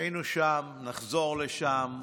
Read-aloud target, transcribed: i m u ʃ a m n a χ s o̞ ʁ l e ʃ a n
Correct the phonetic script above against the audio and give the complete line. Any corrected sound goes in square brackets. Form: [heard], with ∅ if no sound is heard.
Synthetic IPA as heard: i [n] u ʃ a m n a χ [z] o̞ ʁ l e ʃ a [m]